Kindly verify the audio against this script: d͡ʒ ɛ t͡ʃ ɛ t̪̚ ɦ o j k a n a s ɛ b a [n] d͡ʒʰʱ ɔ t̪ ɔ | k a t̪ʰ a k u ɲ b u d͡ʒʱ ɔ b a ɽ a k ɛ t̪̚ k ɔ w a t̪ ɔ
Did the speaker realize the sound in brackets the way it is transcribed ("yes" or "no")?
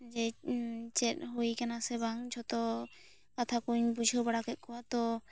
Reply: no